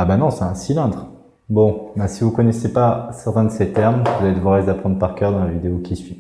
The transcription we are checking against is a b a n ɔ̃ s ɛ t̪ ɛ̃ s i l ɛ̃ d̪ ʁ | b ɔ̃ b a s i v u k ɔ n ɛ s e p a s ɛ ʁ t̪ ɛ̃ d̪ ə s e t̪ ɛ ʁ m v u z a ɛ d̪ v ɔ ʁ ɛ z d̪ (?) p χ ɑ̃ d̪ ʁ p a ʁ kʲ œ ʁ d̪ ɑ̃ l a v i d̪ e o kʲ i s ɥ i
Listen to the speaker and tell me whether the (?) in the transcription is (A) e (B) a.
B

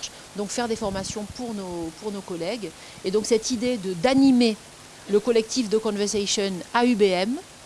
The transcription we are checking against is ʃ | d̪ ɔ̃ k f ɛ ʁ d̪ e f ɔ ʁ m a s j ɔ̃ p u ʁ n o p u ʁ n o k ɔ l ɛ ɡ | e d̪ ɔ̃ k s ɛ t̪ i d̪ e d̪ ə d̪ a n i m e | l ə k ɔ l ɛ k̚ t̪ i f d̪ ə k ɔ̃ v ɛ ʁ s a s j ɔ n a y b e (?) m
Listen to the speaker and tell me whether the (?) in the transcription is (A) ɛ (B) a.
A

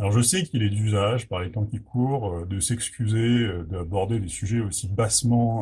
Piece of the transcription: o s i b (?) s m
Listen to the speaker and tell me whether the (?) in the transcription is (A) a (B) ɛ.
A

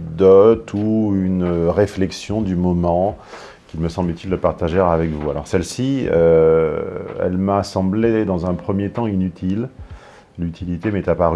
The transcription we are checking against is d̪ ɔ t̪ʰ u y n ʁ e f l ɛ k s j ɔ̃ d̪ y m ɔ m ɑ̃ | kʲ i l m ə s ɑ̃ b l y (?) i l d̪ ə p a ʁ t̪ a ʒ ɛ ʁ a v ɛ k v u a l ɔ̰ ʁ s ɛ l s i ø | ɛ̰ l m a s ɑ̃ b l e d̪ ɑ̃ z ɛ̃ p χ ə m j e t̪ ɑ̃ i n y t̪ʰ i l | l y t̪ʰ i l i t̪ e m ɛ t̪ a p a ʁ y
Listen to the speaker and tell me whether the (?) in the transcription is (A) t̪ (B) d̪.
A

